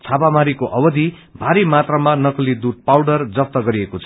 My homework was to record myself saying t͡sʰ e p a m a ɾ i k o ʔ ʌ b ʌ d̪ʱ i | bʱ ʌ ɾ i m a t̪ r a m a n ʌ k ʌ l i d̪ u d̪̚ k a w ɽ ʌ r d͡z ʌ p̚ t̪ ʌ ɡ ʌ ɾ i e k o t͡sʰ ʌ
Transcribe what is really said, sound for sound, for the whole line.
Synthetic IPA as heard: t͡sʰ a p a m a ɾ i k o ʔ ʌ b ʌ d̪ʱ i | bʱ a ɾ i m a t̪ r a m a n ʌ k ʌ l i d̪ u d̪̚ p a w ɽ ʌ r d͡z ʌ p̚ t̪ ʌ ɡ ʌ ɾ i e k o t͡sʰ ʌ

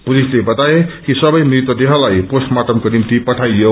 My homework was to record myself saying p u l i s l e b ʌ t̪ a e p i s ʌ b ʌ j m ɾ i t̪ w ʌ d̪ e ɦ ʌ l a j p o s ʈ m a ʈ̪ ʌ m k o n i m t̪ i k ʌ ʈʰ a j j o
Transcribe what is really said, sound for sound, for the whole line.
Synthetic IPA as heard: p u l i s l e b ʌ t̪ a e k i s ʌ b ʌ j m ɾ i t̪ w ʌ d̪ e ɦ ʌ l a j p o s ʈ m a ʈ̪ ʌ m k o n i m t̪ i p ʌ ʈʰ a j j o

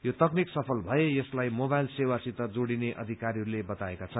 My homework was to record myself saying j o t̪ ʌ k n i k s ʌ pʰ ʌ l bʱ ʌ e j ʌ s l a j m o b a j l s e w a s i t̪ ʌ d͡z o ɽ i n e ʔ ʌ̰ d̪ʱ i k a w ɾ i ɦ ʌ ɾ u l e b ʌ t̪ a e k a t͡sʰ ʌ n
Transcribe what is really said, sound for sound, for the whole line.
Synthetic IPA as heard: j o t̪ ʌ k n i k s ʌ pʰ ʌ l bʱ ʌ e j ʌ s l a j m o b a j l s e w a s i t̪ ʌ d͡z o ɽ i n e ʔ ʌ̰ d̪ʱ i k a ɾ i ɦ ʌ ɾ u l e b ʌ t̪ a e k a t͡sʰ ʌ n

